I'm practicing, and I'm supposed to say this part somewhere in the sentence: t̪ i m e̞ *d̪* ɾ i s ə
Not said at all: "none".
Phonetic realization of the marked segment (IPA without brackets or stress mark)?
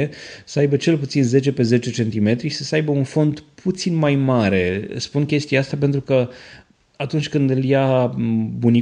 t̪